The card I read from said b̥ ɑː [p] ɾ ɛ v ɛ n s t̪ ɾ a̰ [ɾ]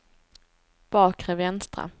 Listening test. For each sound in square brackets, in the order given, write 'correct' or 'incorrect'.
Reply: incorrect: k, incorrect: none

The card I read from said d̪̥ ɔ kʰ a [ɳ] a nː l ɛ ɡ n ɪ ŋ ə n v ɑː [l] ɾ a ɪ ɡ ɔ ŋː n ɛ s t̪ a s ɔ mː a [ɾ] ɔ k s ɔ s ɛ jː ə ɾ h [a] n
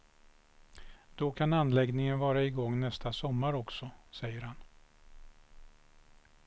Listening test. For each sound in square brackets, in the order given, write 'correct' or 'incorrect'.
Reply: incorrect: n, incorrect: none, correct, correct

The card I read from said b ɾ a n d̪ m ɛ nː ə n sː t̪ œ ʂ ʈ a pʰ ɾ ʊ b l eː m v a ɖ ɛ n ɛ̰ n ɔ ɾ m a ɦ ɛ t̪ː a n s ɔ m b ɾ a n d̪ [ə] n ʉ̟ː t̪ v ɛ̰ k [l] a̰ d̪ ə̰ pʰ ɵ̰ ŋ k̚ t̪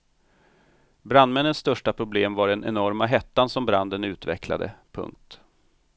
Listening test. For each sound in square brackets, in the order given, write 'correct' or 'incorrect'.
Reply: correct, correct

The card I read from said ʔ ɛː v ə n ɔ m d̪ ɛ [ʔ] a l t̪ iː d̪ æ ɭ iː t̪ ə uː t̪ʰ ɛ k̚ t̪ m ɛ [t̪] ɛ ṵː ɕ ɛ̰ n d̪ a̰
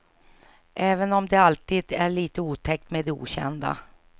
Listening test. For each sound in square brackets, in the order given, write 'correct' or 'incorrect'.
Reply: incorrect: none, incorrect: d̪

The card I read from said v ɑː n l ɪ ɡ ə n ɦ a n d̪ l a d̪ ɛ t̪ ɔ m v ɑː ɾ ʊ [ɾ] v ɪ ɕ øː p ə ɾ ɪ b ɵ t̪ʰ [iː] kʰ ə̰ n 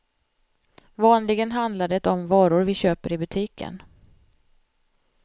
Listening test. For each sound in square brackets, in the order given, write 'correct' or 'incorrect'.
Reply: correct, correct

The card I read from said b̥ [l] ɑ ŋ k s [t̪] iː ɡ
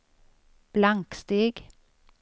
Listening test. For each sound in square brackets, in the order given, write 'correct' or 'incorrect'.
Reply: correct, correct

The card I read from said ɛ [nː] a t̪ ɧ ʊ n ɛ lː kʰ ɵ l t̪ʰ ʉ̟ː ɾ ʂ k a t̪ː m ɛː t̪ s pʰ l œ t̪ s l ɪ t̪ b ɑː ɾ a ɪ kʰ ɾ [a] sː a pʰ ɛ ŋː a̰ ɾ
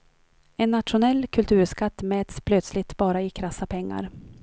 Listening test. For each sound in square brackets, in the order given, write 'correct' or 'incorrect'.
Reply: correct, correct

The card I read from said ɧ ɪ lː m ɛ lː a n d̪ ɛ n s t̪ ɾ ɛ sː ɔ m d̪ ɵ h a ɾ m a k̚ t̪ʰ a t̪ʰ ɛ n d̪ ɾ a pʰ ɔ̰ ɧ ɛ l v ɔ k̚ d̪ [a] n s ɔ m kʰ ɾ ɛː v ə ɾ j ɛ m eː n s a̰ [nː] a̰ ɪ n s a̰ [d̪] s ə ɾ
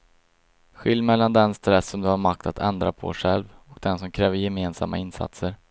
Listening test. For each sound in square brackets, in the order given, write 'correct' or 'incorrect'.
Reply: incorrect: ɛ, incorrect: mː, incorrect: t̪

